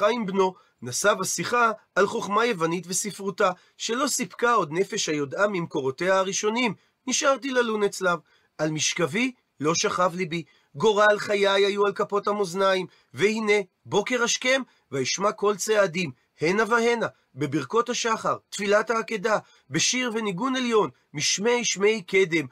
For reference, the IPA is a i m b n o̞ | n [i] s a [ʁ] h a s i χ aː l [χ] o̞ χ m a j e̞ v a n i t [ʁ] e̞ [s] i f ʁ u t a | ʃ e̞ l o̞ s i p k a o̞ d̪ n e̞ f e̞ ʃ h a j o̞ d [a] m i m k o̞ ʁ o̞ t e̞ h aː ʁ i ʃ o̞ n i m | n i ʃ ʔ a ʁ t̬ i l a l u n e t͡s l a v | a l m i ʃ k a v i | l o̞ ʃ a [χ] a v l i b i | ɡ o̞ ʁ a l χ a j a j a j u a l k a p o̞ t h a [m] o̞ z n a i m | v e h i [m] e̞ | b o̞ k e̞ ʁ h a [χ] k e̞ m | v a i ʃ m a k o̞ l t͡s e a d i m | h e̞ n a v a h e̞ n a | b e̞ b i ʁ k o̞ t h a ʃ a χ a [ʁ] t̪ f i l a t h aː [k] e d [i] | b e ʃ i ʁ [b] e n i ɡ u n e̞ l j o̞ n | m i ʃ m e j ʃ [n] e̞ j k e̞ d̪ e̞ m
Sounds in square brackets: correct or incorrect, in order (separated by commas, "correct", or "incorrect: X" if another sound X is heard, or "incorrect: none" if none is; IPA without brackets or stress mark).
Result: incorrect: a, incorrect: v, correct, incorrect: v, correct, correct, correct, correct, incorrect: n, incorrect: ʃ, correct, correct, incorrect: a, incorrect: v, incorrect: m